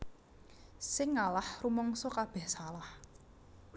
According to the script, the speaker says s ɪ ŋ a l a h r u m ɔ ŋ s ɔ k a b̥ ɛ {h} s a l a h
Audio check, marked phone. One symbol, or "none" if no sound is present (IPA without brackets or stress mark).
h